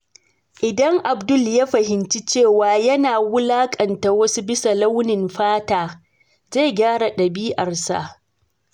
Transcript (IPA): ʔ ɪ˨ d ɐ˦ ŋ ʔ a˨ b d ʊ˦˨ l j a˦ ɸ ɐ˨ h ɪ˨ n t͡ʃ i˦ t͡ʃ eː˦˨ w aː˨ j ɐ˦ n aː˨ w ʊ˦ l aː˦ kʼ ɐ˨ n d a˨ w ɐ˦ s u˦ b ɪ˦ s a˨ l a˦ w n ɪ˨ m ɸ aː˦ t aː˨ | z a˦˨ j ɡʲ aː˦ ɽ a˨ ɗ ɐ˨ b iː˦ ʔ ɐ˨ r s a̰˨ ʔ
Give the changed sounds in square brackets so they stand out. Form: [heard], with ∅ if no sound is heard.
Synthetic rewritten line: ʔ ɪ˨ d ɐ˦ ŋ ʔ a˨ b d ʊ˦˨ l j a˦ ɸ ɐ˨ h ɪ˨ n t͡ʃ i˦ t͡ʃ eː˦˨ w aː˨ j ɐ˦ n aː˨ w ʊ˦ l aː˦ kʼ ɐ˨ n [t] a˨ w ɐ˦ s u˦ b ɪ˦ s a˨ l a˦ w n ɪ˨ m ɸ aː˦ t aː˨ | z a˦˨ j ɡʲ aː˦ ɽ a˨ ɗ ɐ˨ b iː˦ ʔ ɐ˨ r s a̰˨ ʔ

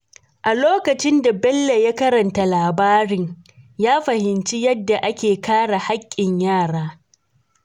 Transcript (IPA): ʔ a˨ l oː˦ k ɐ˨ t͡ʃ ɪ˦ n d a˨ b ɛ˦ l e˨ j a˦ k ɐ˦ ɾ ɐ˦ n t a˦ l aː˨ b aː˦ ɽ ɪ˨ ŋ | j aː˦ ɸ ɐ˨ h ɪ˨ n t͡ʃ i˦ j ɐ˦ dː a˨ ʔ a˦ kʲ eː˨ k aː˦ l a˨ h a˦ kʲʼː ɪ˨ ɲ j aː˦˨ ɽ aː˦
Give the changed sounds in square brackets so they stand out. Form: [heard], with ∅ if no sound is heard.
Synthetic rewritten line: ʔ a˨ l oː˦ k ɐ˨ t͡ʃ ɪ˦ n d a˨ b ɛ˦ [lː] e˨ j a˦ k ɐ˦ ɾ [ɐ˨] n t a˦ l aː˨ b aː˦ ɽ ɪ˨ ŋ | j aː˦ ɸ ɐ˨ h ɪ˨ n t͡ʃ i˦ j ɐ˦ dː a˨ ʔ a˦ kʲ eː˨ k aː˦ [ɽ] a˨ h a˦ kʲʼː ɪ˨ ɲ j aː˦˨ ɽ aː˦

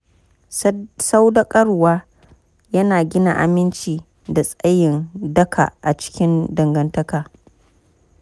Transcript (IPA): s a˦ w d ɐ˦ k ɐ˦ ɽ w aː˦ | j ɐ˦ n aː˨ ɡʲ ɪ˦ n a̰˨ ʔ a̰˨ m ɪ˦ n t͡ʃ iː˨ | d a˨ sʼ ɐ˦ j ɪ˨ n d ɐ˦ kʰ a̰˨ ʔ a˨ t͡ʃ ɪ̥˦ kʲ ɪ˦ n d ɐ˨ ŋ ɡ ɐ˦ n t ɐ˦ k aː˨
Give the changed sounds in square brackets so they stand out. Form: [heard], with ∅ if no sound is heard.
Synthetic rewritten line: s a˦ w d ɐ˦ [kʼ] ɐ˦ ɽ w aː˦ | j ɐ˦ n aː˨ ɡʲ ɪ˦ n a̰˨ ʔ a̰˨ m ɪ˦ n t͡ʃ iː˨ | d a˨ sʼ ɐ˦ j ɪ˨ n d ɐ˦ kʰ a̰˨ ʔ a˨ t͡ʃ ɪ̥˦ kʲ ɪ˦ n d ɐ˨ ŋ ɡ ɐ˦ n t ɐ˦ k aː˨

